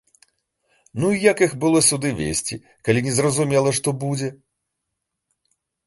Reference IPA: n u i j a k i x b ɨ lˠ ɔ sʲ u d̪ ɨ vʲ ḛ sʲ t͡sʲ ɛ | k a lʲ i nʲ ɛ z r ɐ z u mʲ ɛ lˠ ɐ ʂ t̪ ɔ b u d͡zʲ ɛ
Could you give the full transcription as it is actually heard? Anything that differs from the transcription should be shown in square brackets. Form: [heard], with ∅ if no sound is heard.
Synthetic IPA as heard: n u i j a k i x b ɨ lˠ ɔ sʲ u d̪ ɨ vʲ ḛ sʲ t͡sʲ [i] | k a lʲ i nʲ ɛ z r ɐ z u mʲ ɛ lˠ ɐ ʂ t̪ ɔ b u d͡zʲ ɛ